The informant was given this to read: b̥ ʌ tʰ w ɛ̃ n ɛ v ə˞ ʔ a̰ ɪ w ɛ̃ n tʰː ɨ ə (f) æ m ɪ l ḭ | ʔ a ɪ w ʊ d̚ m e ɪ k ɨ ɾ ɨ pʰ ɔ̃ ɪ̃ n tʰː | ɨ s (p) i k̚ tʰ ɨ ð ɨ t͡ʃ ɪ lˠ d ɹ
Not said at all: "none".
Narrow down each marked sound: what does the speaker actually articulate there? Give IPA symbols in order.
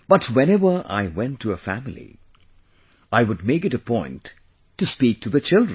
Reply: f, p

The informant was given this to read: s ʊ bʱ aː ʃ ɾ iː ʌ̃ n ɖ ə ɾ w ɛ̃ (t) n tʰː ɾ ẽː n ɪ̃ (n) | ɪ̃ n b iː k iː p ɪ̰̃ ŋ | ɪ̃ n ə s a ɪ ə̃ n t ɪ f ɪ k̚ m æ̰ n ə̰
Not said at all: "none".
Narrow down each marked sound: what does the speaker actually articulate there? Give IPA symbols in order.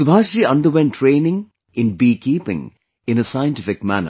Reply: none, ŋ

